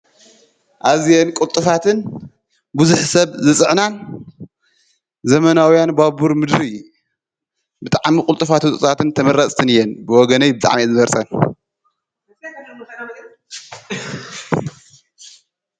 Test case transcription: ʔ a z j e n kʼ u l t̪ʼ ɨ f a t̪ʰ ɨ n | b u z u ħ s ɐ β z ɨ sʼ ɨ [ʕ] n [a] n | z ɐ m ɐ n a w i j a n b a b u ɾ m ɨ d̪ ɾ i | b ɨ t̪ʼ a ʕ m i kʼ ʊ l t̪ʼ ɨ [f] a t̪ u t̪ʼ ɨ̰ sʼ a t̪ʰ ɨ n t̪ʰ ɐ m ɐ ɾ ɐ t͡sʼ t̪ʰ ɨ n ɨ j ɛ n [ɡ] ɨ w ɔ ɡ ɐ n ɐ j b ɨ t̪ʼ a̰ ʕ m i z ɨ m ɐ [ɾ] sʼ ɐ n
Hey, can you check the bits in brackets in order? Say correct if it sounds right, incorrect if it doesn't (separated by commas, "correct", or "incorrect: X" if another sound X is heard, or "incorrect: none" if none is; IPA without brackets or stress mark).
correct, correct, correct, incorrect: b, correct